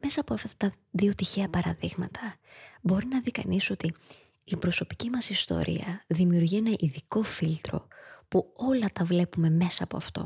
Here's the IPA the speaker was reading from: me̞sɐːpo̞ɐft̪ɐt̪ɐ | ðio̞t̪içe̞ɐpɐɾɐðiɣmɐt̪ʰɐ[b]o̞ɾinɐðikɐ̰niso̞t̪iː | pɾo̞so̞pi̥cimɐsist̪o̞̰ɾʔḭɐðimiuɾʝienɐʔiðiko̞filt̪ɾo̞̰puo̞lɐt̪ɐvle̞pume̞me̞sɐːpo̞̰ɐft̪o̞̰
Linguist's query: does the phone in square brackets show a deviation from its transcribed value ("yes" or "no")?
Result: no